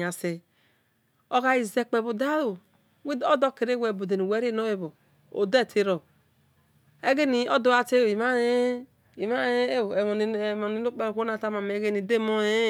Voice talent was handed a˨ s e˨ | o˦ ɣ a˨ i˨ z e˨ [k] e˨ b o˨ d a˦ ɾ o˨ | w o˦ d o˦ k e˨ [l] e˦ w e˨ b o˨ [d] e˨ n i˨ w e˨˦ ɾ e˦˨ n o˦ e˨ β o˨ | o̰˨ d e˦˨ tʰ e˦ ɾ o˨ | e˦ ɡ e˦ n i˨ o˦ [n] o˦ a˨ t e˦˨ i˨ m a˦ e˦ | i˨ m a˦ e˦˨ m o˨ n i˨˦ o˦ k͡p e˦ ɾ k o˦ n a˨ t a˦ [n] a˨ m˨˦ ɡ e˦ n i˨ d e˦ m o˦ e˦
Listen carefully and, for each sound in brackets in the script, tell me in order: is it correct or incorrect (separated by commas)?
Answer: incorrect, incorrect, correct, incorrect, incorrect